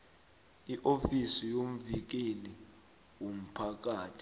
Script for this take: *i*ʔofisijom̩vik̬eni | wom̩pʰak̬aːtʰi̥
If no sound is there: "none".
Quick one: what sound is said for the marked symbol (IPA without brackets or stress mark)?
i